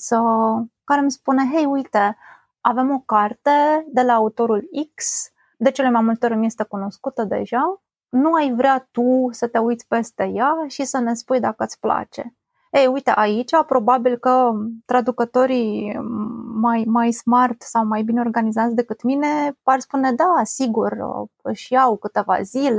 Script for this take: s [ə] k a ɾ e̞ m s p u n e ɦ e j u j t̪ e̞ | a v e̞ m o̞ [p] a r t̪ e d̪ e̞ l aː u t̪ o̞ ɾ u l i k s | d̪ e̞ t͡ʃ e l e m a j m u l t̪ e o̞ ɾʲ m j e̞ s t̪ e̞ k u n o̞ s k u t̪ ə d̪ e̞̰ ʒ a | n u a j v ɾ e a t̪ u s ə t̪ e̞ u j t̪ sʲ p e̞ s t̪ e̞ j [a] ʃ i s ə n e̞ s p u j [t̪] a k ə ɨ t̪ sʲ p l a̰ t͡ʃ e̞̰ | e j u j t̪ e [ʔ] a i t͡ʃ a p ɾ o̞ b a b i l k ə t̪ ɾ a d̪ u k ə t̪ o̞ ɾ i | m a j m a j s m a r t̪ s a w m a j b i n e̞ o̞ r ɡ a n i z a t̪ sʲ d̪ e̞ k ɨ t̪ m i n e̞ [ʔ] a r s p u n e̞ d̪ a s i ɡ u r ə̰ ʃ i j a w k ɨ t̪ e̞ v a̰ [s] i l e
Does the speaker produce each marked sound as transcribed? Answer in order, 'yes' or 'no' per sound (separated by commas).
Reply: yes, no, yes, no, yes, no, no